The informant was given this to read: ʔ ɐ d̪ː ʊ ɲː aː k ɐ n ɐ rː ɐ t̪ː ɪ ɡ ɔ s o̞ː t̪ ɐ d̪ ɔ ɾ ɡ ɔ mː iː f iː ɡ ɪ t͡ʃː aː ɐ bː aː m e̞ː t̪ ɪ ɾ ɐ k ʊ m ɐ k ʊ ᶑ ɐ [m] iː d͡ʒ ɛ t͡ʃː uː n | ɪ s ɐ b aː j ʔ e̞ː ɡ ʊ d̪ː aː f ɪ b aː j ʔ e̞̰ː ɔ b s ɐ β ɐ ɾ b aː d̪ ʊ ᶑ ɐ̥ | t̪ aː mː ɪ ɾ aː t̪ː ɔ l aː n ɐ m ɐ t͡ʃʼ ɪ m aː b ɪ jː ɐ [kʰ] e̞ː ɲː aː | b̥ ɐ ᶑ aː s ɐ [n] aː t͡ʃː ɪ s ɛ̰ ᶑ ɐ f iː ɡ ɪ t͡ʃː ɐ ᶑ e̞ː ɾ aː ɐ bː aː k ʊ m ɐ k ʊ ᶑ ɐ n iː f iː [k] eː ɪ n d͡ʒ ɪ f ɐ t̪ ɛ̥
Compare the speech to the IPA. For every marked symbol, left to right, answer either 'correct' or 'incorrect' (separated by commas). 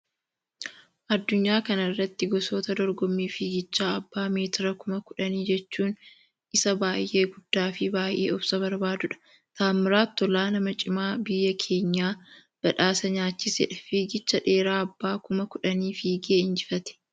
incorrect, correct, incorrect, incorrect